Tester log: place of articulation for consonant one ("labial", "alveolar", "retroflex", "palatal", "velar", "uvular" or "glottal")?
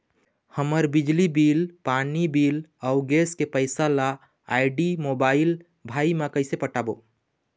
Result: glottal